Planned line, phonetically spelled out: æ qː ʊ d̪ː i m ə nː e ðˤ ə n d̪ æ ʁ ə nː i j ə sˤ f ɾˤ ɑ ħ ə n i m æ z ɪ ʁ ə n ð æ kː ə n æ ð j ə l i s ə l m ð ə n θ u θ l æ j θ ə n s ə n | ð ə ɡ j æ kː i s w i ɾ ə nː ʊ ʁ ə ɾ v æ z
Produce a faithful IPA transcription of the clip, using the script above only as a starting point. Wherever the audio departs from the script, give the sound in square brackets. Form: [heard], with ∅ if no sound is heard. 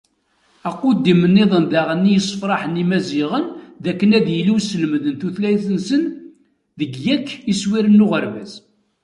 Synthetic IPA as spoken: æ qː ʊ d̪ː i m ə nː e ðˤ ə n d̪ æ ʁ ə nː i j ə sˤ f ɾˤ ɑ ħ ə n i m æ z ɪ ʁ ə n ð æ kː ə n æ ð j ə l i s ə l m ð ə n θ u θ l æ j θ ə n s ə n | ð ə ɡ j æ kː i s w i ɾ ə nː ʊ ʁ ə ɾ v æ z

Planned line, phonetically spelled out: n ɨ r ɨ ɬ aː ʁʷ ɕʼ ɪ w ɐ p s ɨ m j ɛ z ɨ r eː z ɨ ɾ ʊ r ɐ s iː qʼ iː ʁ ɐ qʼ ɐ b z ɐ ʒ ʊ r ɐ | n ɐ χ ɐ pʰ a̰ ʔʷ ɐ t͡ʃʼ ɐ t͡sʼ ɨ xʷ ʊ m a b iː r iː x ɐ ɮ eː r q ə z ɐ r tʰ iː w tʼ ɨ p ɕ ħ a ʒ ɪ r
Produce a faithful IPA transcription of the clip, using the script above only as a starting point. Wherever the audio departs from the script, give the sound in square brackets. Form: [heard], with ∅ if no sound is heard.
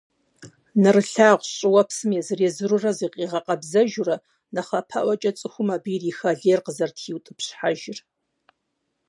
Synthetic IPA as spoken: n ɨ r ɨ ɬ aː ʁʷ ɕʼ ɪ w ɐ p s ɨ m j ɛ z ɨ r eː z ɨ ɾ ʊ r ɐ [z] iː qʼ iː ʁ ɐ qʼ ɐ b z ɐ ʒ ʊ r ɐ | n ɐ χ ɐ pʰ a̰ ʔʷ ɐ t͡ʃʼ ɐ t͡sʼ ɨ xʷ ʊ m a b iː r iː x ɐ ɮ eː r q ə z ɐ r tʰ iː w tʼ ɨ p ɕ ħ a ʒ ɪ r

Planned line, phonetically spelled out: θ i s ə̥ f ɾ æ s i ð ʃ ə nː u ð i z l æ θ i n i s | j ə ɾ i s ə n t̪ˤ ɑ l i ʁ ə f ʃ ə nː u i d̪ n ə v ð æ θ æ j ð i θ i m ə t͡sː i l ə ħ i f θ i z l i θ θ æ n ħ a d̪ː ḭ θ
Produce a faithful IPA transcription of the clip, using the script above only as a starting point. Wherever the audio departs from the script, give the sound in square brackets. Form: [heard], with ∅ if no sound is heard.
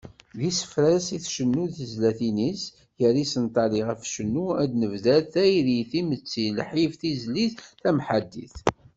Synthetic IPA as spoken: [ð] i s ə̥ f ɾ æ s i [θ] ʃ ə nː u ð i z l æ θ i n i s | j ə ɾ i s ə n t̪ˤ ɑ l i ʁ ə f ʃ ə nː u [æ] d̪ n ə v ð æ θ æ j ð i θ i m ə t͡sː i l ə ħ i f θ i z l i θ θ æ [m] ħ a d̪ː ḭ θ

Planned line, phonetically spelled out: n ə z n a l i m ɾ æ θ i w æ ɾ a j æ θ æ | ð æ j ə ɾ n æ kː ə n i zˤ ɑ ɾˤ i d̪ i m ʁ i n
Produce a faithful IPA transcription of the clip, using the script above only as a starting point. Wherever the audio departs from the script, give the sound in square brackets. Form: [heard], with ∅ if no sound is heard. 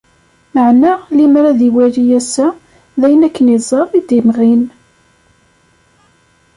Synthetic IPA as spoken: [m] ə [ʕ] n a l i m ɾ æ [ð] i w æ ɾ [i] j æ [s] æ | ð æ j ə [∅] n æ kː ə n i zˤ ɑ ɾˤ i d̪ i m ʁ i n

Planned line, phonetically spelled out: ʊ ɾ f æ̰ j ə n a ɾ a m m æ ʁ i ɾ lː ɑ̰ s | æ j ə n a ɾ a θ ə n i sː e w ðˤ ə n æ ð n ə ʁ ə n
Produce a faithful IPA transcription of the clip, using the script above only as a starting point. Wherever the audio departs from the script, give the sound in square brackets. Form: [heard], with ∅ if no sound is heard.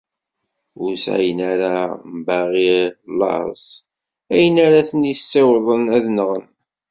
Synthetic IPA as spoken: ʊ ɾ [s] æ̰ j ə n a ɾ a m [b] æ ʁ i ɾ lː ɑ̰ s | æ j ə n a ɾ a θ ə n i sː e w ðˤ ə n æ ð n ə ʁ ə n

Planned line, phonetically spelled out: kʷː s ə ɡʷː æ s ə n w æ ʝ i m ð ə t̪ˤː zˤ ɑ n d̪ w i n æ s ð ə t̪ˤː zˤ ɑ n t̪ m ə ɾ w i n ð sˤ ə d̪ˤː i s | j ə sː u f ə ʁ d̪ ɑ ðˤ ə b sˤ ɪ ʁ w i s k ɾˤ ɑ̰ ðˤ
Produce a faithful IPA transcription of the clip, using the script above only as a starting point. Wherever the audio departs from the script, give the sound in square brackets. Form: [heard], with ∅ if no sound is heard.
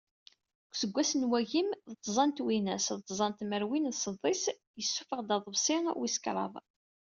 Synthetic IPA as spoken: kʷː s ə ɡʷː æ s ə n w æ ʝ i m ð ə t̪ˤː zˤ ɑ n [t̪] w i n æ s ð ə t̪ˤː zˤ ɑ n t̪ m ə ɾ w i n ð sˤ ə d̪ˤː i s | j ə sː u f ə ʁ d̪ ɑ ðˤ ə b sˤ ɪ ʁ w i s k ɾˤ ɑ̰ ðˤ

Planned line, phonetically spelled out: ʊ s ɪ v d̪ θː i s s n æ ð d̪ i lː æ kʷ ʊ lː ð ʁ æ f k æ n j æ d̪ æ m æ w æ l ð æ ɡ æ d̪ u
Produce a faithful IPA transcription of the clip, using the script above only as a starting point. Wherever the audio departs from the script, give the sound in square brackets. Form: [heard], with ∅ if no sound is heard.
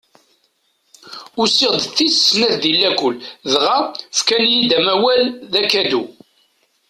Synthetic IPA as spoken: ʊ s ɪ [ʁ] d̪ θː i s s n æ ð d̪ i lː æ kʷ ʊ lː ð ʁ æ f k æ n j [i] d̪ æ m æ w æ l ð æ [k] æ d̪ u

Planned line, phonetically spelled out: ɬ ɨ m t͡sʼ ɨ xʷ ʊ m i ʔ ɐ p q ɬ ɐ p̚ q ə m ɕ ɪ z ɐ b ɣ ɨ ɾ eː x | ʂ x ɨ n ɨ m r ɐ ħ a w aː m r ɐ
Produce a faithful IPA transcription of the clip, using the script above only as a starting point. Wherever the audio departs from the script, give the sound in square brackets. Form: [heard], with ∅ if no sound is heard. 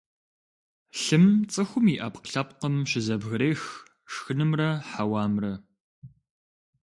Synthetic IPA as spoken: ɬ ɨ m t͡sʼ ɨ xʷ ʊ m i ʔ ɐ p q ɬ ɐ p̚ q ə m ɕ ɪ z ɐ b ɣ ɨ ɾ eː x | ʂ x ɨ n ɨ m r ɐ ħ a w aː m r ɐ

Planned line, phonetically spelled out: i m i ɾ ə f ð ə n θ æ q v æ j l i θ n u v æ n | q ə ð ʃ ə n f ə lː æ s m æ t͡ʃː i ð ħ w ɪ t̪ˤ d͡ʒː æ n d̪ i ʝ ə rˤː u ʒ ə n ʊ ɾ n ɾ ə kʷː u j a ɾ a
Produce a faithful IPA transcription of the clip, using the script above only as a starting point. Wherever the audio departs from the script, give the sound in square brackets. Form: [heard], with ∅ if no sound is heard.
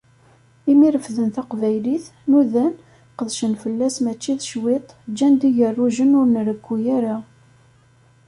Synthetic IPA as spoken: i m i ɾ ə f ð ə n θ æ q v æ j l i θ n u [ð] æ n | q ə ð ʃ ə n f ə lː æ s m æ t͡ʃː i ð [ʃ] w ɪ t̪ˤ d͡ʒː æ n d̪ i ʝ ə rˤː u ʒ ə n ʊ ɾ n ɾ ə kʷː u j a ɾ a

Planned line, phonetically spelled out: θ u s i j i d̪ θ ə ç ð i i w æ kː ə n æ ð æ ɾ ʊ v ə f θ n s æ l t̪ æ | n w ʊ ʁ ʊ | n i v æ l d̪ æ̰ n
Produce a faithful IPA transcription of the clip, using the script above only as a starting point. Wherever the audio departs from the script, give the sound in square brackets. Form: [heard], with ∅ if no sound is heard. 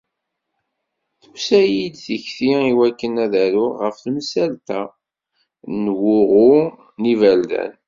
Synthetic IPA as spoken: θ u s [æ] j i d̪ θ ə ç [θ] i i w æ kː ə n æ ð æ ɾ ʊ [ʁ] ə f θ [m] s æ l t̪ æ | n w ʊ ʁ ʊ | n i v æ l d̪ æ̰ n

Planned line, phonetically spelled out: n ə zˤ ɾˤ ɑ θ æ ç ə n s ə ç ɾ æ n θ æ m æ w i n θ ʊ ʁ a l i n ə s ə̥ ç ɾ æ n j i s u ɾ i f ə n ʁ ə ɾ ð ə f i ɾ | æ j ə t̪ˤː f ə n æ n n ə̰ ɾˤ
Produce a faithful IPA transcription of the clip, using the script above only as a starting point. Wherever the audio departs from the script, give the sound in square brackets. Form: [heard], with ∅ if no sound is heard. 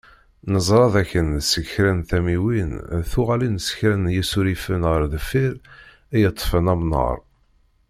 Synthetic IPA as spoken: n ə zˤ ɾˤ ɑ [ð] æ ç ə n s ə ç ɾ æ n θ æ m [i] w i n θ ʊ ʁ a l i n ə s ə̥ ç ɾ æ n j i s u ɾ i f ə n ʁ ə ɾ ð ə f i ɾ | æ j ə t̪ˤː f ə n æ [m] n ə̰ ɾˤ

